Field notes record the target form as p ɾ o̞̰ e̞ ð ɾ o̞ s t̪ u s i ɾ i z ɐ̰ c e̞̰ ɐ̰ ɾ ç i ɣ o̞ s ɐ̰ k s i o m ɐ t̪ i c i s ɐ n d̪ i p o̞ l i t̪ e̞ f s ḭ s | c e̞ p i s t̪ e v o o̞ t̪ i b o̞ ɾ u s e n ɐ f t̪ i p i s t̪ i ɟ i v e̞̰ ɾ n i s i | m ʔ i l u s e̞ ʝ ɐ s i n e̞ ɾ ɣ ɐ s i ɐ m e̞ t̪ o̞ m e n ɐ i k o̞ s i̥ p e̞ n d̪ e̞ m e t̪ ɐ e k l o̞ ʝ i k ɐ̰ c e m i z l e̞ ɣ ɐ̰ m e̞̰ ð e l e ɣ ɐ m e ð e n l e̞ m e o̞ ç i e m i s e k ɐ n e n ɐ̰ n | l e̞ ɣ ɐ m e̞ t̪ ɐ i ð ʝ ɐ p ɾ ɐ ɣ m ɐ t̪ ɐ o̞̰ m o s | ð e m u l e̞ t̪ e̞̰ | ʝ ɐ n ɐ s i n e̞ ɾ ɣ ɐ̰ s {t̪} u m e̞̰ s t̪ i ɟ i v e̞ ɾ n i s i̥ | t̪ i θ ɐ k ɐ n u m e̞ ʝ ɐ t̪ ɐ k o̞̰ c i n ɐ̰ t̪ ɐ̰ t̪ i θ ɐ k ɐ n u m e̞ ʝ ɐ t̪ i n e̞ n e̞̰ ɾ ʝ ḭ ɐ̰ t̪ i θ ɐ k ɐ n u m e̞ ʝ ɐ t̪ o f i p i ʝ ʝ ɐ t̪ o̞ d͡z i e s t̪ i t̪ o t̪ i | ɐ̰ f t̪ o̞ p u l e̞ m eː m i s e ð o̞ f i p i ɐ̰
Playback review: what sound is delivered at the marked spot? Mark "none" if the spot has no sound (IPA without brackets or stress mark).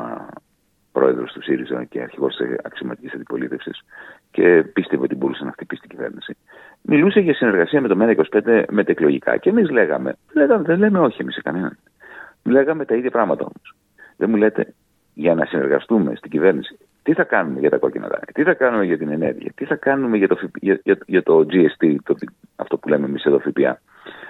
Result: t̪